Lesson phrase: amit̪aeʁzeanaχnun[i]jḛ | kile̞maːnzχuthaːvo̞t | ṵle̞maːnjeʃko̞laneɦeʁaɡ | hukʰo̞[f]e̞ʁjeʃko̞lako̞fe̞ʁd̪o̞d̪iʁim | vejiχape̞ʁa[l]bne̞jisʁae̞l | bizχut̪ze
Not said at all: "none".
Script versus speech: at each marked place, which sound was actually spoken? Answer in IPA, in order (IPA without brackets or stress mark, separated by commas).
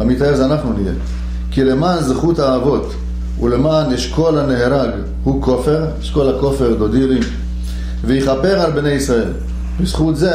i, f, l